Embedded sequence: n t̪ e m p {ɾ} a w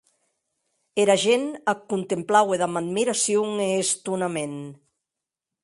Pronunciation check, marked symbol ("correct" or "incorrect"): incorrect